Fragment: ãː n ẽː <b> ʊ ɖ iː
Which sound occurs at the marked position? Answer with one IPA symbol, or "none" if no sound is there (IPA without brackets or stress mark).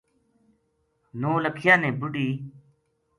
b